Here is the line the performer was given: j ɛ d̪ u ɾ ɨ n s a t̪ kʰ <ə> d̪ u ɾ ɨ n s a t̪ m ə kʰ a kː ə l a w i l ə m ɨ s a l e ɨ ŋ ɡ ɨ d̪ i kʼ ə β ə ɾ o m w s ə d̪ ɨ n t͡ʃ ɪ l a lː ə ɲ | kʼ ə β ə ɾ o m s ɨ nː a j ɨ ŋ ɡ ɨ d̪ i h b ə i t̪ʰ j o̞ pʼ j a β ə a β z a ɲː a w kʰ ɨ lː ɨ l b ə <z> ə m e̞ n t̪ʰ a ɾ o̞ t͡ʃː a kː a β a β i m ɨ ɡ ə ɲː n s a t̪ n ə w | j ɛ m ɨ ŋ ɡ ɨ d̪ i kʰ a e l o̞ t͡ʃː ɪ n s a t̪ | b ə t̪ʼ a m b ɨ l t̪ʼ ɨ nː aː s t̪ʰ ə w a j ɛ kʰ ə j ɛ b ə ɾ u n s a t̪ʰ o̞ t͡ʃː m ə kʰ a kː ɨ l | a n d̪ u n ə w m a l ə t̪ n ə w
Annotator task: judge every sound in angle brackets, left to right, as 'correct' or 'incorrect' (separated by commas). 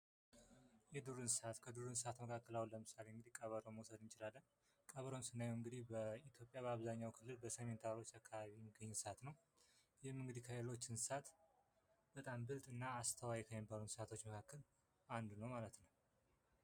correct, incorrect